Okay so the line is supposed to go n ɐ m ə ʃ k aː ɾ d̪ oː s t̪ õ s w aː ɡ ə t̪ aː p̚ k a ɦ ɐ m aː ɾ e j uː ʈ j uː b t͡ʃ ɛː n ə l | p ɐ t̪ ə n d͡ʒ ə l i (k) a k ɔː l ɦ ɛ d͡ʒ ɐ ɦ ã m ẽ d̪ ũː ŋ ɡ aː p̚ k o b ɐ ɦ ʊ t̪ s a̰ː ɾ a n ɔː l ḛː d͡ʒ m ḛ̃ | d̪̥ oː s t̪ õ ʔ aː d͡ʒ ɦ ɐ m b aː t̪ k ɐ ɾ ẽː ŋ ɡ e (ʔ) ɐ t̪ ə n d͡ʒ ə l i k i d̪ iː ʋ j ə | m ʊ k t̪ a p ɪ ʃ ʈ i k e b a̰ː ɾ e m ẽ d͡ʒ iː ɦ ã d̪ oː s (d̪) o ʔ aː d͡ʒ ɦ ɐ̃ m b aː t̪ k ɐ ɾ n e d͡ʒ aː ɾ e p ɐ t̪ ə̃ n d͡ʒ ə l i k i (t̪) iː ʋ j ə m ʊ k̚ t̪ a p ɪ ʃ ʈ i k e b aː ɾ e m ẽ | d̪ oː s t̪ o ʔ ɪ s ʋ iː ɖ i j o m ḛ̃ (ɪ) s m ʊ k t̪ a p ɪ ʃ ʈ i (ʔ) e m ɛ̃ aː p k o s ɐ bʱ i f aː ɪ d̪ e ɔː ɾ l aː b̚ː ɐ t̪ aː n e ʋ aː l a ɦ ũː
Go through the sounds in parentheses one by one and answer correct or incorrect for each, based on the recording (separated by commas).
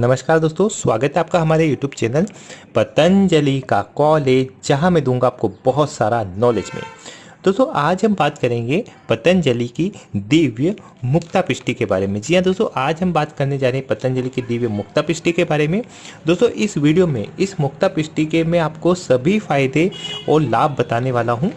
correct, incorrect, incorrect, incorrect, correct, incorrect